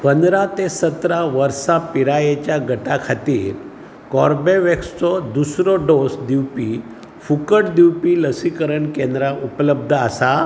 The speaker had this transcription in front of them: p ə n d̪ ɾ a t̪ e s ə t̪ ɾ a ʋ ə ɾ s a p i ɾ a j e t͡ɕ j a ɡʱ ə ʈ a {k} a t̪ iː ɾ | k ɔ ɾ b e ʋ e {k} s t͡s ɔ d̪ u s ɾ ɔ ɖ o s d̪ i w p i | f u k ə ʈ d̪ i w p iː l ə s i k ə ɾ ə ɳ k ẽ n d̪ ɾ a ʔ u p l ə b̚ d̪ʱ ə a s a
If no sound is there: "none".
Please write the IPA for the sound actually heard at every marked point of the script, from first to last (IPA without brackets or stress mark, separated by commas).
kʰ, k